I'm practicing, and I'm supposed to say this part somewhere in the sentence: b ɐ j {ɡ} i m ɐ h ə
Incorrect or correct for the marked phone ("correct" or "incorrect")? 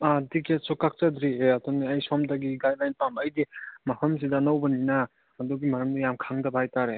incorrect